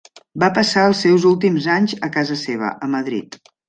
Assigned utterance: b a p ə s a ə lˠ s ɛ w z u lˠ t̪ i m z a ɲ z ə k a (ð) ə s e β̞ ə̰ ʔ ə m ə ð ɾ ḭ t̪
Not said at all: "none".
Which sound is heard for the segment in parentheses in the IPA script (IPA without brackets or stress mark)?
z